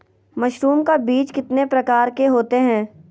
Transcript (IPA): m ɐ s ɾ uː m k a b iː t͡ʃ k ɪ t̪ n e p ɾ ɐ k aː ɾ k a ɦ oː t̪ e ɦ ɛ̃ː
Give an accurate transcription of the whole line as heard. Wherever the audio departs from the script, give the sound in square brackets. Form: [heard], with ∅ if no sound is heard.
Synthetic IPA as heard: m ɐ [ʃ] ɾ uː m k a b iː t͡ʃ k ɪ t̪ n e p ɾ ɐ k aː ɾ k [e] ɦ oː t̪ e ɦ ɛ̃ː

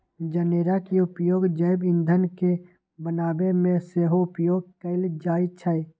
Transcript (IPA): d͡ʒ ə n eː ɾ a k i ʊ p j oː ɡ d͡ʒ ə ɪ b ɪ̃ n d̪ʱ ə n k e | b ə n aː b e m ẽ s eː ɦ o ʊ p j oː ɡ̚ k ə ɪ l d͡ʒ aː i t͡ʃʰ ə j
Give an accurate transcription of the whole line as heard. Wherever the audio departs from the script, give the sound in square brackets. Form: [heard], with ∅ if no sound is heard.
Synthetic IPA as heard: d͡ʒ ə n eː ɾ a k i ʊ p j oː ɡ d͡ʒ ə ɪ b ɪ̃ n d̪ʱ ə n k e | b ə n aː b e m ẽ s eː ɦ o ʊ p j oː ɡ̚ k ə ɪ l d͡ʒ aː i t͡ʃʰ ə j

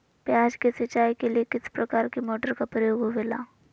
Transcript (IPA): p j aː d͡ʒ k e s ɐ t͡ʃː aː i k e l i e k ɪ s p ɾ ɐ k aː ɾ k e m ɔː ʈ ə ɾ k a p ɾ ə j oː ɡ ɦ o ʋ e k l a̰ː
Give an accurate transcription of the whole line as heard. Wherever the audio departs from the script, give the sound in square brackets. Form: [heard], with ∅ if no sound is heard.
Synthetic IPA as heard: p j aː d͡ʒ k e s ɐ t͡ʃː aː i k e l i e k ɪ s p ɾ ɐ k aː ɾ k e m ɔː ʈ ə ɾ k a p ɾ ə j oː ɡ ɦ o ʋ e [∅] l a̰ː

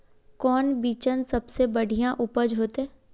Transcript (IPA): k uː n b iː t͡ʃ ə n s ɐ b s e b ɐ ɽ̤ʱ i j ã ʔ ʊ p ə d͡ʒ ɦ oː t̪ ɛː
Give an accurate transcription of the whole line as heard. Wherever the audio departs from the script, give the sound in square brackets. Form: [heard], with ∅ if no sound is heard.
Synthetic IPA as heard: k [ɔː] n b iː t͡ʃ ə n s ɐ b s e b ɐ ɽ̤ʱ i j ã ʔ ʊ p ə d͡ʒ ɦ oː t̪ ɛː

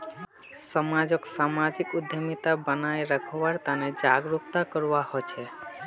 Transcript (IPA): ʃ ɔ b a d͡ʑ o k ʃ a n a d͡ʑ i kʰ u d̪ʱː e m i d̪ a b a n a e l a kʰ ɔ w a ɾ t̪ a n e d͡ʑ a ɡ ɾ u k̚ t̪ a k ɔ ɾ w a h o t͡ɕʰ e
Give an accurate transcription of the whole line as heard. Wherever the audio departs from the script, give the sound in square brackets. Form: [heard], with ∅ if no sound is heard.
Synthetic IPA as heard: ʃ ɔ [m] a d͡ʑ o k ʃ a [m] a d͡ʑ i [k] u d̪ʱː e m i [t̪] a b a n a e [ɾ] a kʰ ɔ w a ɾ t̪ a n e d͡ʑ a ɡ ɾ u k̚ t̪ a k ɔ ɾ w a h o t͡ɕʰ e

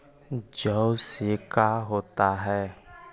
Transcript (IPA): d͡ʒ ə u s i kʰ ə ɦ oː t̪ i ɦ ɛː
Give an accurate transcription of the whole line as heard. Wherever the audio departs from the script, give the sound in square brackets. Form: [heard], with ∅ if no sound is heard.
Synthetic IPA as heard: d͡ʒ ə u s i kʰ [a] ɦ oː t̪ [a] ɦ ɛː

